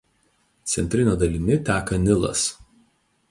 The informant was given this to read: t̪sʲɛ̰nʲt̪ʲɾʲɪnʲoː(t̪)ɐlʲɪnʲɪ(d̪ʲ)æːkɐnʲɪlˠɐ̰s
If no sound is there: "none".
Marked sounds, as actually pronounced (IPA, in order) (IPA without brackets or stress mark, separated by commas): d̪, t̪ʲ